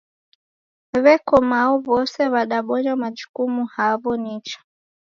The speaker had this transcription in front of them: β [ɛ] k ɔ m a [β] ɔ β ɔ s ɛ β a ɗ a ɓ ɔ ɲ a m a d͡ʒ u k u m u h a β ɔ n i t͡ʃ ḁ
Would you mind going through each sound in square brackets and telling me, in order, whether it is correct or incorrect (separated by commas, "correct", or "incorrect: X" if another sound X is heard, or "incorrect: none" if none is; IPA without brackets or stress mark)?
correct, incorrect: none